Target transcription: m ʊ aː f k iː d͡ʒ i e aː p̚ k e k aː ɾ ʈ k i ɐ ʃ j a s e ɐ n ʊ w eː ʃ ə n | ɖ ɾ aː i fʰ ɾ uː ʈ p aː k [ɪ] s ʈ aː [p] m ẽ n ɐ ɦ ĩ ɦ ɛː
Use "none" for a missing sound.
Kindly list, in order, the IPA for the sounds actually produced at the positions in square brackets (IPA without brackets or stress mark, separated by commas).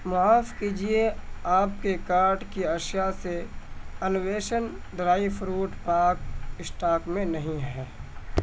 ɪ, k